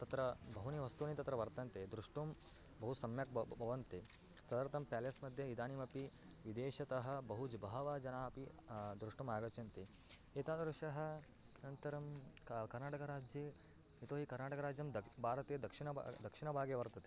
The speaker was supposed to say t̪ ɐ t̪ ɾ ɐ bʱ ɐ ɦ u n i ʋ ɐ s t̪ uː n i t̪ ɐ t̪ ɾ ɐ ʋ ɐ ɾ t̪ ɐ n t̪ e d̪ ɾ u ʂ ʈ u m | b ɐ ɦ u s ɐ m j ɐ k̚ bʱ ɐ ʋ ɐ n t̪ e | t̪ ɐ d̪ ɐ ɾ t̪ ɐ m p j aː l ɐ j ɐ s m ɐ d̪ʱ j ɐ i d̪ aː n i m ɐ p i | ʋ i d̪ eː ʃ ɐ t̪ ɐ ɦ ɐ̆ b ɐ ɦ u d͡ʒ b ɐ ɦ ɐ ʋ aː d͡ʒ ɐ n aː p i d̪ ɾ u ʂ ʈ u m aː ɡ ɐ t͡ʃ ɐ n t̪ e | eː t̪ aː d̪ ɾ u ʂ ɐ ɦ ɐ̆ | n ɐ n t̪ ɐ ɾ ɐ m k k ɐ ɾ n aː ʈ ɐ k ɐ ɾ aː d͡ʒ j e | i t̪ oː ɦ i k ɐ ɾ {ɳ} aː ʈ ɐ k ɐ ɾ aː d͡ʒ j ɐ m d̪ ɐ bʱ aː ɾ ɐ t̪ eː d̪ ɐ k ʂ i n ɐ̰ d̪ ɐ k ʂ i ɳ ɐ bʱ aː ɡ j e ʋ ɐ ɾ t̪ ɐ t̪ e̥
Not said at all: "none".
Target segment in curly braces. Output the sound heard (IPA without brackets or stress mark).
n